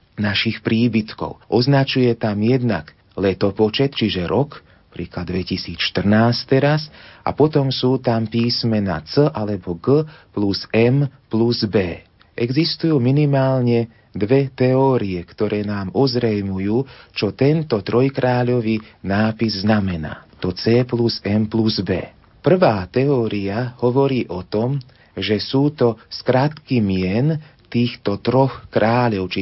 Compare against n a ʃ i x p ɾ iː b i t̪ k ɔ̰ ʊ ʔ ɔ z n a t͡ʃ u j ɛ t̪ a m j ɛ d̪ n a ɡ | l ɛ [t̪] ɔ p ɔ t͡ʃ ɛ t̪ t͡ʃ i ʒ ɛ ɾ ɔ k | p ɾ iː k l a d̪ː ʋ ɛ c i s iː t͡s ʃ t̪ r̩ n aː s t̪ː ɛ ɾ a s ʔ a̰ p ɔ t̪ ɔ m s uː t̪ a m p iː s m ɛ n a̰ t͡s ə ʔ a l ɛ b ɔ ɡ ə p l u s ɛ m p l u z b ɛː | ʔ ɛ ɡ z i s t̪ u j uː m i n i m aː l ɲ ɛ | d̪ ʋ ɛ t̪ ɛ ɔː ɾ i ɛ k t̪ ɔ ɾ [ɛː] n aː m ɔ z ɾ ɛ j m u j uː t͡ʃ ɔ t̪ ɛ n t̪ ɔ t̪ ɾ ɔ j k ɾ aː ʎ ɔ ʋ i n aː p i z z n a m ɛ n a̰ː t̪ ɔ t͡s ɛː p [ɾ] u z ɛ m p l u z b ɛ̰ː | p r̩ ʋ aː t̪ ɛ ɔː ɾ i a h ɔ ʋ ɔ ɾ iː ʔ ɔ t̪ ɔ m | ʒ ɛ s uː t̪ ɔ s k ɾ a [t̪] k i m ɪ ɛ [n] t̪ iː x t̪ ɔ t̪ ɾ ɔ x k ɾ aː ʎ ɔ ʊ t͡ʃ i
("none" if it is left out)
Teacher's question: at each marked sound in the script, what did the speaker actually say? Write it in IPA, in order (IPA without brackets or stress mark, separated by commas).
t̪, ɛː, l, t̪, n